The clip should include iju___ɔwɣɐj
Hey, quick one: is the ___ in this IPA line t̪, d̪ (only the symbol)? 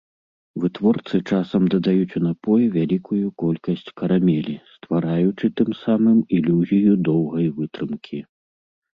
d̪